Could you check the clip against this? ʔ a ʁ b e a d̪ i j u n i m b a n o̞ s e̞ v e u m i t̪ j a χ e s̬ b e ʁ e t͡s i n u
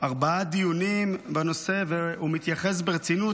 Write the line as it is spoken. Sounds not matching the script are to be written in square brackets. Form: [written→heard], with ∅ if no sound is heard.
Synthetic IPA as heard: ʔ a ʁ b [e→a] a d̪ i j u n i m b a n o̞ s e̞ v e u m i t̪ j a χ e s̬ b e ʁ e t͡s i n u

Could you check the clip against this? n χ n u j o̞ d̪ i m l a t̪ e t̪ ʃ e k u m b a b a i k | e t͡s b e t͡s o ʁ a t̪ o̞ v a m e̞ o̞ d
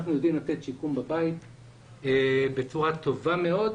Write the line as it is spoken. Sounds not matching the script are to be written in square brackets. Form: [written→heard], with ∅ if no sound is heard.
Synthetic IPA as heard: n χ n u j o̞ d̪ i m l a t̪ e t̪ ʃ [e→i] k u m b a b a i [k→t] | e [t͡s→∅] b e t͡s [o→u] ʁ a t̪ o̞ v a m e̞ o̞ d

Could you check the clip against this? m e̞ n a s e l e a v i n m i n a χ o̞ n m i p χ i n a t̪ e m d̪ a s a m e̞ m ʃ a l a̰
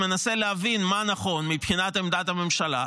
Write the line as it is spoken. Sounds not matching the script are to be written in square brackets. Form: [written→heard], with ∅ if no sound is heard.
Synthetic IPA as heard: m e̞ n a s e l e a v i n m [i→a] n a χ o̞ n m i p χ i n a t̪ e m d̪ a [s→t] a m e̞ m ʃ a l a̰

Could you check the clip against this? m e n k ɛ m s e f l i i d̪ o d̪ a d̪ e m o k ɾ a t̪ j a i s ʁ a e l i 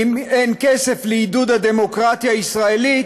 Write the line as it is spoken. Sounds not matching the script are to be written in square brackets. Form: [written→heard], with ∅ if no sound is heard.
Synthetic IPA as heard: m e n k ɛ [m→∅] s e f l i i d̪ [o→u] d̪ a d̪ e m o k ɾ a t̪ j a i s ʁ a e l i

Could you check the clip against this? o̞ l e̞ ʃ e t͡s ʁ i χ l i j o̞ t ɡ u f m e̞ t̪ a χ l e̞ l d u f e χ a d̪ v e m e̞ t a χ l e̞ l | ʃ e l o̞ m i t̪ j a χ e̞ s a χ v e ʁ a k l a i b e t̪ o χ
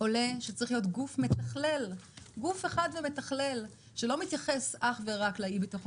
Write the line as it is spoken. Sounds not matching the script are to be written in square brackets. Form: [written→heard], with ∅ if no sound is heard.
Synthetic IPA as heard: o̞ l e̞ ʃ e t͡s ʁ i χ l i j o̞ t ɡ u f m e̞ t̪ a χ l e̞ l [d→ɡ] u f e χ a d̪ v e m e̞ t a χ l e̞ l | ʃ e l o̞ m i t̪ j a χ e̞ s a χ v e ʁ a k l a i b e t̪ o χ

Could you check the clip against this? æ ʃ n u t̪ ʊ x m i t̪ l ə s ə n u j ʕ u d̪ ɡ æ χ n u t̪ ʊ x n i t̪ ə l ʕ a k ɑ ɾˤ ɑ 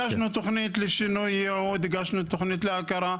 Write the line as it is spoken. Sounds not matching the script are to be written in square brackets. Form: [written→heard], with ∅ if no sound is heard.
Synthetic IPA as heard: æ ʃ n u t̪ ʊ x [m→n] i t̪ l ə [s→ʃ] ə n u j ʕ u d̪ ɡ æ [χ→ʃ] n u t̪ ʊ x n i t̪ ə l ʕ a k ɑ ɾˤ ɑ

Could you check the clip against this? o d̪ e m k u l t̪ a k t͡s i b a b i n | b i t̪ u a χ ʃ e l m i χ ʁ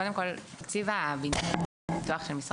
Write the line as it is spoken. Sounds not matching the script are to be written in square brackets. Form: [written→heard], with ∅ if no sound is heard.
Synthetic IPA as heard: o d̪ e m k [u→o] l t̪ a k t͡s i [b→v] a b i n | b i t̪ u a χ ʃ e l m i [χ→s] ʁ

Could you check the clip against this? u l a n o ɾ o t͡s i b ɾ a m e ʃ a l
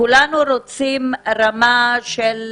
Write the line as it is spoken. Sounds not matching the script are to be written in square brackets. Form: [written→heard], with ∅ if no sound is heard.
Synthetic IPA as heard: u l a n [o→u] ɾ o t͡s i [b→m] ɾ a m [e→a] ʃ [a→e] l

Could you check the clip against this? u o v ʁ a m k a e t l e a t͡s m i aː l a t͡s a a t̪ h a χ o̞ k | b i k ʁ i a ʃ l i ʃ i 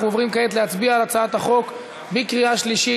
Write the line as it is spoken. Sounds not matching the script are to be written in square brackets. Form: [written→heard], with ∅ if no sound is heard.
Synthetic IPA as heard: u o v ʁ [a→i] m k a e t l e a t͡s [m→b] i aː l a t͡s a a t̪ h a χ o̞ k | b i k ʁ i a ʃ l i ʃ i

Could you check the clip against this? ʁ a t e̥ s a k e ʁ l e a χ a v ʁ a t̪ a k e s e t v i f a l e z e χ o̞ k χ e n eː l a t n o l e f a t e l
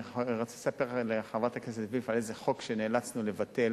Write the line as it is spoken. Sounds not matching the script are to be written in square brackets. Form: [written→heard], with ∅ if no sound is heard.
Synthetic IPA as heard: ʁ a [t→t͡s] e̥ s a [k→p] e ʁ l e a χ a v ʁ a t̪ a k e s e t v i f a l e z e χ o̞ k [χ→ʃ] e n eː l a [t→t͡s] n [o→u] l e [f→v] a t e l

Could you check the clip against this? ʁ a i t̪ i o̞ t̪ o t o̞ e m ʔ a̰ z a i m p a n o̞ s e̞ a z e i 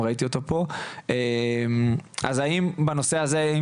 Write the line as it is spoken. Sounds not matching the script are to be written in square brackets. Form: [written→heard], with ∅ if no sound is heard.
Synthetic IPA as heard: ʁ a i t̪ i o̞ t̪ o [t→p] o̞ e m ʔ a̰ z a i m [p→b] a n o̞ s e̞ a z e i

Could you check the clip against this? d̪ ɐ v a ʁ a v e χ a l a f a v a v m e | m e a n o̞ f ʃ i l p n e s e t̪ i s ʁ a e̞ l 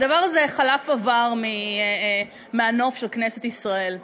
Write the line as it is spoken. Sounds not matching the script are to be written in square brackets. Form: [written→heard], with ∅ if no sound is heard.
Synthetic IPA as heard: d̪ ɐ v a ʁ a [v→z] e χ a l a f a v a [v→ʁ] m [e→i] | m e a n o̞ f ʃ [i→e] l [p→k] n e s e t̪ i s ʁ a e̞ l

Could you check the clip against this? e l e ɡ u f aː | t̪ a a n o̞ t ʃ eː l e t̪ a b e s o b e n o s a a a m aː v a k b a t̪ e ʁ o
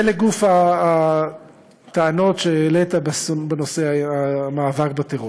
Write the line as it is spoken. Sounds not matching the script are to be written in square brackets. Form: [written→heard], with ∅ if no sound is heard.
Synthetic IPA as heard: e l e ɡ u f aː | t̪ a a n o̞ t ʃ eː l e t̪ a b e s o b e n o s [a→e] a a m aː v a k b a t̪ e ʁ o

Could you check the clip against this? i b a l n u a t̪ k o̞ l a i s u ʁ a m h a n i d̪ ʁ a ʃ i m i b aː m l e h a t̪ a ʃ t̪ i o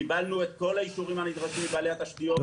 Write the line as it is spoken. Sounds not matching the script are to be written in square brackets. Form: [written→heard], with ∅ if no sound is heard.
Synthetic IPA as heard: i b a l n u [a→e] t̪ k o̞ l a i [s→ʃ] u ʁ [a→i] m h a n i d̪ ʁ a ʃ i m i b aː [m→∅] l e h a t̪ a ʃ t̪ i o

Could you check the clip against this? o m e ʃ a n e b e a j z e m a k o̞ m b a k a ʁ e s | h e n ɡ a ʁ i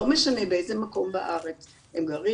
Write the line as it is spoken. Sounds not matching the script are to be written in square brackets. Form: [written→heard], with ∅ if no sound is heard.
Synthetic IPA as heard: o m e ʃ a n e b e [a→e] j z e m a k o̞ m b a [k→ʔ] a ʁ e [s→t͡s] | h e [n→m] ɡ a ʁ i

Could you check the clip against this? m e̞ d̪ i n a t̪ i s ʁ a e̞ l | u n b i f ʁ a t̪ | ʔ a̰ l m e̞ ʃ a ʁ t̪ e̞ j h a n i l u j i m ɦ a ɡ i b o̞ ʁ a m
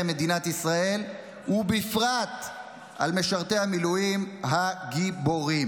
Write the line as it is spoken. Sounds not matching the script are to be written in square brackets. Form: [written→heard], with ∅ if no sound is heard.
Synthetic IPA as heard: m e̞ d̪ i n a t̪ i s ʁ a e̞ l | u [n→∅] b i f ʁ a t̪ | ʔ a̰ l m e̞ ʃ a ʁ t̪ e̞ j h a [n→m] i l u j i m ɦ a ɡ i b o̞ ʁ [a→i] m

